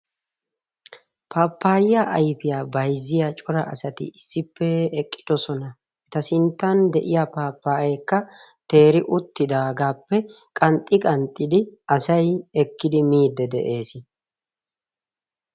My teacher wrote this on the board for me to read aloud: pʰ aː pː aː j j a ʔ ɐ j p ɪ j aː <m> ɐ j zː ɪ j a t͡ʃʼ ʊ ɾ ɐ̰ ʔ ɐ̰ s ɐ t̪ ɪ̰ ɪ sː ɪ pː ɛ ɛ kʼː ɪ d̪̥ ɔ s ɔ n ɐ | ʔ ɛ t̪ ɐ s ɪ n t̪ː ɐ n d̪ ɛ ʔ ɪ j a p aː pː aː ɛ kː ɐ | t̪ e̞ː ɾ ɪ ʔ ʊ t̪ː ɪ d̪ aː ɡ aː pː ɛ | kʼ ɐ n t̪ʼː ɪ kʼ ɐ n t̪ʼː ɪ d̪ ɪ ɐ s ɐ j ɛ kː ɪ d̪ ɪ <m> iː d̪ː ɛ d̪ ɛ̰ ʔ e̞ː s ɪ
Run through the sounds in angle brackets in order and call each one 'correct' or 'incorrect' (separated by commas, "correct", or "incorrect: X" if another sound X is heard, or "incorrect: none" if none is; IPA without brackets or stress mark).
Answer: incorrect: b, correct